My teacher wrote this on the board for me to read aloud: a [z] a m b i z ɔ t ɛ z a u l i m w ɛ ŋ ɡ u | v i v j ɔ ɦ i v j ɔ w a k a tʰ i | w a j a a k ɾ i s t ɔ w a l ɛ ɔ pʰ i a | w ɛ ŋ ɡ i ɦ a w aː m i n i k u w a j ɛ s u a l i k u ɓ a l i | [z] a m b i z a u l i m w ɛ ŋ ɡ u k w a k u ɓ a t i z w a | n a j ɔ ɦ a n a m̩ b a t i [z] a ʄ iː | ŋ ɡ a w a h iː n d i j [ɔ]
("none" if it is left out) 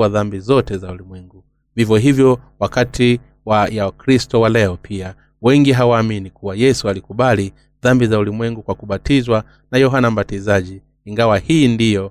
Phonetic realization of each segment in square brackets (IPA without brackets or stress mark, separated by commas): ð, ð, z, ɔ